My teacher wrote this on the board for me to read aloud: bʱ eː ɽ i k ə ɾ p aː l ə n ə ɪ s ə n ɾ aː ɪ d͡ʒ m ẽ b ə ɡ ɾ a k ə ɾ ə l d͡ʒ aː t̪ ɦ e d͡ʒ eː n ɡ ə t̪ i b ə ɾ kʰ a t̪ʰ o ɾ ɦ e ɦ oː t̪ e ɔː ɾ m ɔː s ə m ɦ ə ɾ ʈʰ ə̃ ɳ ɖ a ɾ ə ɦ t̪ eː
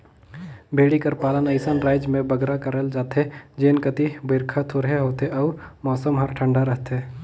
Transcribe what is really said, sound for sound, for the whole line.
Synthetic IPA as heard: bʱ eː ɽ i k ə ɾ p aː l ə n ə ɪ s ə n ɾ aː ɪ d͡ʒ m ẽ b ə ɡ ɾ a k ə ɾ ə l d͡ʒ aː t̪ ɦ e d͡ʒ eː n k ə t̪ i b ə ɾ kʰ a t̪ʰ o ɾ ɦ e ɦ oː t̪ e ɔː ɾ m ɔː s ə m ɦ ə ɾ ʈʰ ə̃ ɳ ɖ a ɾ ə ɦ t̪ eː